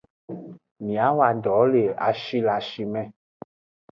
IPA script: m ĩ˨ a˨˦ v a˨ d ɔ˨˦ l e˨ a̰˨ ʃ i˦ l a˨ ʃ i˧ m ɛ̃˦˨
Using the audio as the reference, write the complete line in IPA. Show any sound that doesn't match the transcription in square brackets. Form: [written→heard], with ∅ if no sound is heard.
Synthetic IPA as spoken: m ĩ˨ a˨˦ [v→w] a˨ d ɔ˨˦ l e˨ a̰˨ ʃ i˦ l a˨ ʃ i˧ m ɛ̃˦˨